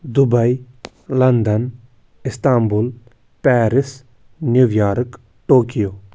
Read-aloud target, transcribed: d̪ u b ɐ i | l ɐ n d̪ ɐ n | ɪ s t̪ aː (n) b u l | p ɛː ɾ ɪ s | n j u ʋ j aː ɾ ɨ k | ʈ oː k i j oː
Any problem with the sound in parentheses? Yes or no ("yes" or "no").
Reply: yes